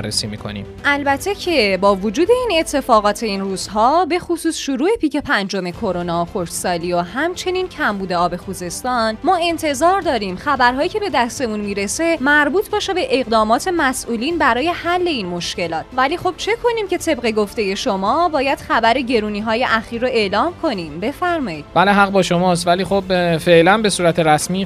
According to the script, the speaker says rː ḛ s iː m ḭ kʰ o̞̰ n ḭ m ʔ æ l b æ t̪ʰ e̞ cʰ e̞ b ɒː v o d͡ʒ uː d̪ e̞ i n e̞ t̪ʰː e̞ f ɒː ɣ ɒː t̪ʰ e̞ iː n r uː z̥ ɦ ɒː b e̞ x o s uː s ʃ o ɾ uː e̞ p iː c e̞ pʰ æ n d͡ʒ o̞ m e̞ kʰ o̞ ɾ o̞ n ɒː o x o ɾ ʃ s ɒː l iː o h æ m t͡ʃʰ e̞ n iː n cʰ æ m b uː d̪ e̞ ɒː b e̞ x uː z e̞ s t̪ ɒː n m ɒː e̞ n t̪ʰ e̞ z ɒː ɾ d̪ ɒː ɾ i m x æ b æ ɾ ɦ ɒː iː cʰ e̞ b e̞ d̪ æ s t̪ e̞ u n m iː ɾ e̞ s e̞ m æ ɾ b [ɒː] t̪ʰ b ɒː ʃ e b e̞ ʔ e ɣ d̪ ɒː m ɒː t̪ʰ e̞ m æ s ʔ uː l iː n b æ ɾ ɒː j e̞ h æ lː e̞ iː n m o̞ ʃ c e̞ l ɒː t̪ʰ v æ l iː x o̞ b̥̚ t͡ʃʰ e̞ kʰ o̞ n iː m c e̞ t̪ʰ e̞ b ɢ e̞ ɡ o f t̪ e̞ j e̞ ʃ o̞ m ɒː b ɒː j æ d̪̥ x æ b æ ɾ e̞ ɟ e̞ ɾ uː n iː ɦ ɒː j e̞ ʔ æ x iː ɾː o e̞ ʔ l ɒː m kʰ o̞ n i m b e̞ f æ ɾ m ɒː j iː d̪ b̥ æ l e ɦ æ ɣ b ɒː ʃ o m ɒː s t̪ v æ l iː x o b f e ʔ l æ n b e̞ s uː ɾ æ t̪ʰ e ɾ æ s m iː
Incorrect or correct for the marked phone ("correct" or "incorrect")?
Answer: incorrect